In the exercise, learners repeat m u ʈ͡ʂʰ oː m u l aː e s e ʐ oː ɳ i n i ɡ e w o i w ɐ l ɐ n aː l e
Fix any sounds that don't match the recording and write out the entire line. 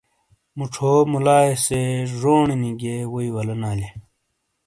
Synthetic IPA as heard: m u ʈ͡ʂʰ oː m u l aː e s e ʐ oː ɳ i n i ɡ e w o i w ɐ l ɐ n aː l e